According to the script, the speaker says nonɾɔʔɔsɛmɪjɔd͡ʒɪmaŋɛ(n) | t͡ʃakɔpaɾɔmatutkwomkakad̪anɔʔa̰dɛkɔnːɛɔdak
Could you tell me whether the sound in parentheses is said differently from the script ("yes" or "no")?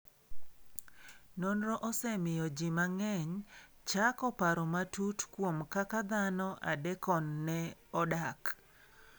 yes